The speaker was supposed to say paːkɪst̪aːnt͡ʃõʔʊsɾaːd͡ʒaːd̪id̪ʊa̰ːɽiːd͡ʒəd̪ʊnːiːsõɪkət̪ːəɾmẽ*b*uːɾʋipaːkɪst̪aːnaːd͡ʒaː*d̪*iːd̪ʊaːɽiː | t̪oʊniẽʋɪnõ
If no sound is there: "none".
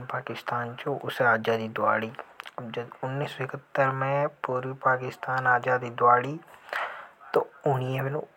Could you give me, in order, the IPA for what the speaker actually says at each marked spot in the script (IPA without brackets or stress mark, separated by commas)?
p, d̪